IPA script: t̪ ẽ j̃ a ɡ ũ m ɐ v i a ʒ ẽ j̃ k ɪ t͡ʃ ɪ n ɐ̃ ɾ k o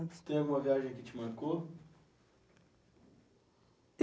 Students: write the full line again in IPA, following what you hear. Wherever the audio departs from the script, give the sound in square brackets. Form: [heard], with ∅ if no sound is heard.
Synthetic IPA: t̪ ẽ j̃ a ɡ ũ m ɐ v i a ʒ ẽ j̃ k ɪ t͡ʃ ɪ [m] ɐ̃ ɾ k o